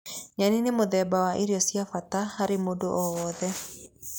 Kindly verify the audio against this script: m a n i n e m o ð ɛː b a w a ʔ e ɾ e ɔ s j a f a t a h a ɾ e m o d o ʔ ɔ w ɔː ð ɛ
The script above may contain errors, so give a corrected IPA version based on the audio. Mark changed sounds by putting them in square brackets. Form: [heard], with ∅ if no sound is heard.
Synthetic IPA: [ɲ] a n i n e m o ð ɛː b a w a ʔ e ɾ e ɔ s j a f a t a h a ɾ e m o d o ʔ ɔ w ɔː ð ɛ

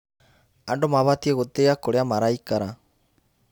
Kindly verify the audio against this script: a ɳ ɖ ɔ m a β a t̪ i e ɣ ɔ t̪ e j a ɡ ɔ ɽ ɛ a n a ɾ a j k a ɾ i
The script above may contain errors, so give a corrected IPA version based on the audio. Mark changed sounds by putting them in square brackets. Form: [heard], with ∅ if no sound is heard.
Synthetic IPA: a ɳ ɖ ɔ m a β a t̪ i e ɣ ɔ t̪ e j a [k] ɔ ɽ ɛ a [m] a ɾ a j k a ɾ [a]

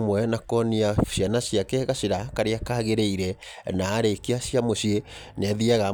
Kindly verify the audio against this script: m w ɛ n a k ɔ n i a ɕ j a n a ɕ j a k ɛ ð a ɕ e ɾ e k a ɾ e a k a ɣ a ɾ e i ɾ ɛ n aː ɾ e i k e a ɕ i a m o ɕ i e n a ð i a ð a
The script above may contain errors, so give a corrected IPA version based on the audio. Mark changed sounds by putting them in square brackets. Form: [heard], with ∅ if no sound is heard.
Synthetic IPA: m w ɛ n a k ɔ n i a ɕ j a n a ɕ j a k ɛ [ɣ] a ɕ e ɾ [a] k a ɾ e a k a ɣ [e] ɾ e i ɾ ɛ n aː ɾ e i k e a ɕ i a m o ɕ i e n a ð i a [ɣ] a

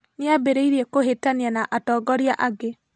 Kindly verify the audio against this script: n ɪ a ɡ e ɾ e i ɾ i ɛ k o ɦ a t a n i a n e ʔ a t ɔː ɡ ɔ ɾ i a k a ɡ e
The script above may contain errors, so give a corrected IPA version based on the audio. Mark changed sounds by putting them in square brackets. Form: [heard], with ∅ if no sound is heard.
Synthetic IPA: n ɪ a [b] e ɾ e i ɾ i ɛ k o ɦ [e] t a n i a n [a] ʔ a t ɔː ɡ ɔ ɾ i a [ʔ] a ɡ e

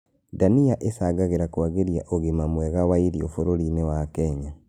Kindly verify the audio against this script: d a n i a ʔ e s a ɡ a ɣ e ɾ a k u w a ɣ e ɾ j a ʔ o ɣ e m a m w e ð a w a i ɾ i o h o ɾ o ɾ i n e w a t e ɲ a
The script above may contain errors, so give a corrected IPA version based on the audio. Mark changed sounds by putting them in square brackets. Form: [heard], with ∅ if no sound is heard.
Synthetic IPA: d a n i a ʔ e s a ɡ a ɣ e ɾ a k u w a ɣ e ɾ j a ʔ o ɣ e m a m w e [ɣ] a w a i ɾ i o [f] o ɾ o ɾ i n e w a [k] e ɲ a

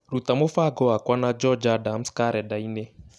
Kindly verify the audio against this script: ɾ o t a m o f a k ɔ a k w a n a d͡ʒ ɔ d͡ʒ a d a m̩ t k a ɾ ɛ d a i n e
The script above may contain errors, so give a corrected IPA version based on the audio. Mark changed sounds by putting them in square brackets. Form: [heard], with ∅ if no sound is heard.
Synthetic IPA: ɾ [u] t a m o f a [ɡ] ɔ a k w a n a d͡ʒ ɔ d͡ʒ a d a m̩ [s] k a ɾ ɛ d a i n e

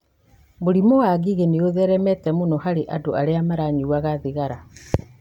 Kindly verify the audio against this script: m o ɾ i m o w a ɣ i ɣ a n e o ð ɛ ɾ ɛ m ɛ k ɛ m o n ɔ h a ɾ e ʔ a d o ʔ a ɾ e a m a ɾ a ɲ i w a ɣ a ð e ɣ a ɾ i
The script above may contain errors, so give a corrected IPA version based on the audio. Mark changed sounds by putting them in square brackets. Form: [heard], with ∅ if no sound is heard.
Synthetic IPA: m o ɾ i m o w a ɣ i ɣ [e] n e o ð ɛ ɾ ɛ m ɛ [t] ɛ m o n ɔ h a ɾ e ʔ a d o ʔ a ɾ e a m a ɾ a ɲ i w a ɣ a ð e ɣ a ɾ [a]

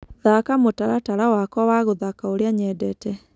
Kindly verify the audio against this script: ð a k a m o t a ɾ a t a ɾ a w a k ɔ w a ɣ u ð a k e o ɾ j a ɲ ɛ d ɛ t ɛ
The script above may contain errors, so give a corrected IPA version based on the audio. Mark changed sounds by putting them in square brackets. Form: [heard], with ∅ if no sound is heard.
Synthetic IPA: ð a k a m o t a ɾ a t a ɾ a w a k ɔ w a ɣ [o] ð a k [a] o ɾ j a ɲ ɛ d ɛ t ɛ

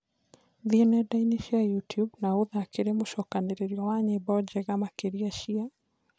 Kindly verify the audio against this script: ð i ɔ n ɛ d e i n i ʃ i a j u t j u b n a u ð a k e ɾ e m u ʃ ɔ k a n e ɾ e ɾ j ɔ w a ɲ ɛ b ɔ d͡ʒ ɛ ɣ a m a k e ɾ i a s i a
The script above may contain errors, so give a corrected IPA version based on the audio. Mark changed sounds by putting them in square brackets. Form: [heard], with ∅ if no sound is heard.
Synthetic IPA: ð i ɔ n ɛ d [a] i n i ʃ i a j u t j u b n a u ð a k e ɾ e m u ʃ ɔ k a n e ɾ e ɾ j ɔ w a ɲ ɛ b ɔ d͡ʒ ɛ ɣ a m a k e ɾ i a [ʃ] i a

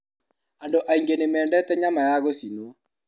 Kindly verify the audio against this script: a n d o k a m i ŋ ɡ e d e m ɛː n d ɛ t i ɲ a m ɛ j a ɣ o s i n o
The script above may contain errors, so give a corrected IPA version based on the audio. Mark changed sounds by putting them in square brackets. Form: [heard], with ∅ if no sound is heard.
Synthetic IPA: a n d o [ʔ] a [∅] i ŋ ɡ e [n] e m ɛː n d ɛ t [ɛ] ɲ a m [a] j a ɣ o s i n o

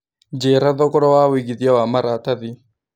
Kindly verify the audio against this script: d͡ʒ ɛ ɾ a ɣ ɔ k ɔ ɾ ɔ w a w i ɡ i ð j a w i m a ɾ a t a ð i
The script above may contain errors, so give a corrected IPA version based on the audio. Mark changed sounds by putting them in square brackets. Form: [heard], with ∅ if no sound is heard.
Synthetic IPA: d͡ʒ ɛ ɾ a [ð] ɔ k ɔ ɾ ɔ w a w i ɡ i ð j a w [a] m a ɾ a t a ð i

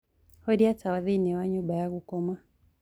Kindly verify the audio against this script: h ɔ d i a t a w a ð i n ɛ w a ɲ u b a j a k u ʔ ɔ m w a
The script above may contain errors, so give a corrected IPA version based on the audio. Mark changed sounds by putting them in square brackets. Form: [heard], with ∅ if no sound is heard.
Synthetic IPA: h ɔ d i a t a w a ð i n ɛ w a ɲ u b a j a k u [k] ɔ m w a

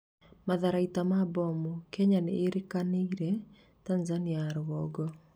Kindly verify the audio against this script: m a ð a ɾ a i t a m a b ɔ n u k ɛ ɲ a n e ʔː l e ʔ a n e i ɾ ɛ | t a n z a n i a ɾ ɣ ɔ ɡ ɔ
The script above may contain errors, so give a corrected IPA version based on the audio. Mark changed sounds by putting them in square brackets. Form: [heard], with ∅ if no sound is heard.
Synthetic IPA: m a ð a ɾ a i t a m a b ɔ [m] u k ɛ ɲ a n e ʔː [ɾ] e [k] a n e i ɾ ɛ | t a n z a n i a ɾ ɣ ɔ ɡ ɔ

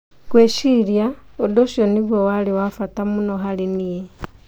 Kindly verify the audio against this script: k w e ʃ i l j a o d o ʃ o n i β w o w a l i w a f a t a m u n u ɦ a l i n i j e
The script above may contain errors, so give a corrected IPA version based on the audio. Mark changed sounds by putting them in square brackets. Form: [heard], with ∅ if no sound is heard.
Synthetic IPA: k w e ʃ i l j a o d o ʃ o n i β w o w a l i w a f a t a m u n [o] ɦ a l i n i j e

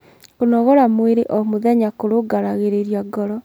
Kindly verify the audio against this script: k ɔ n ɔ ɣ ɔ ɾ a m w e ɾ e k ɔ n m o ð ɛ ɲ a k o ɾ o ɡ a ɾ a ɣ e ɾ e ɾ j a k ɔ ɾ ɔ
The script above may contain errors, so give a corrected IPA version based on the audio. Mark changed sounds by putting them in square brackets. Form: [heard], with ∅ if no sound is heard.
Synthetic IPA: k [o] n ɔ ɣ ɔ ɾ a m w e ɾ e [ʔ] ɔ [∅] m o ð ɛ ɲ a k o ɾ o ɡ a ɾ a ɣ e ɾ e ɾ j a [ɡ] ɔ ɾ ɔ

